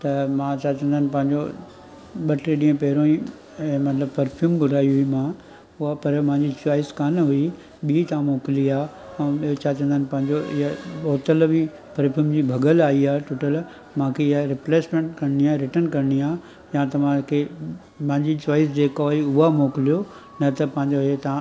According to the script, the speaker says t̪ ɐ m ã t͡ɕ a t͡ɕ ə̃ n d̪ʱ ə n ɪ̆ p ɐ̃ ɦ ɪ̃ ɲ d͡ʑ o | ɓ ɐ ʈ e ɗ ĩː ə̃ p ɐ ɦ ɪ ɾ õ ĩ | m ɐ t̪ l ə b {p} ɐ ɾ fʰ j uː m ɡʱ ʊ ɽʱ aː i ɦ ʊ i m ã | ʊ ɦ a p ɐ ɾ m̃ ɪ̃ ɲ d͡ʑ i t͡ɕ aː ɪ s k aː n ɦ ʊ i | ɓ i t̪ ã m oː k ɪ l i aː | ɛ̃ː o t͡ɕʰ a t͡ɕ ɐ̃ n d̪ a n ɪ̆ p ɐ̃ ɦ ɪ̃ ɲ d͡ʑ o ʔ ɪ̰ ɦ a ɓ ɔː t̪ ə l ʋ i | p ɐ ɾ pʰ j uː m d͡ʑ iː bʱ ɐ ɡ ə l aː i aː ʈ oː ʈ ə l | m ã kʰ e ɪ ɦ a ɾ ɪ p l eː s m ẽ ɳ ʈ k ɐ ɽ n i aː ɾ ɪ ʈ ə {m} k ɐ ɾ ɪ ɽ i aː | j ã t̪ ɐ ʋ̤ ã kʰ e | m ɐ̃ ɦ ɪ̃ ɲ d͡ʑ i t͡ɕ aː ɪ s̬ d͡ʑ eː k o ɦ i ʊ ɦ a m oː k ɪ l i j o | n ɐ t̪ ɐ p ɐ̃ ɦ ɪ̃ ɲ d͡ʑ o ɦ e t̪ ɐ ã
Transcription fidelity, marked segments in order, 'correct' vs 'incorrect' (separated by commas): correct, incorrect